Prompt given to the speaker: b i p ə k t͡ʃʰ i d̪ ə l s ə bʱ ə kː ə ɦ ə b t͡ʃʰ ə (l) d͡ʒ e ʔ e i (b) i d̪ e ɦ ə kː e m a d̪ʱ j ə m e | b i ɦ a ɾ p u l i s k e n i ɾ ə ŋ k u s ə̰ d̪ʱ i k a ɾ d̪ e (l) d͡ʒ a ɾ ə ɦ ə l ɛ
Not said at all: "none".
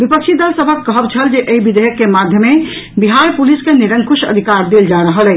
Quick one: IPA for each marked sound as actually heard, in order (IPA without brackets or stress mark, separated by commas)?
l, b, l